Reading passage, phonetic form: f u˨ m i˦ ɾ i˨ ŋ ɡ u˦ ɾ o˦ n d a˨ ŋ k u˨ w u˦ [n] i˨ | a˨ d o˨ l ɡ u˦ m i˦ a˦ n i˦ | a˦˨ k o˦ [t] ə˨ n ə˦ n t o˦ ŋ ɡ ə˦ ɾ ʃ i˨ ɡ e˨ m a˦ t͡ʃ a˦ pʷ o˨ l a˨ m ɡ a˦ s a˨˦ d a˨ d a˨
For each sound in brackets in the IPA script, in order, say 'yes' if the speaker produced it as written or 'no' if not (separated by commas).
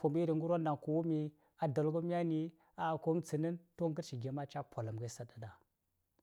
no, no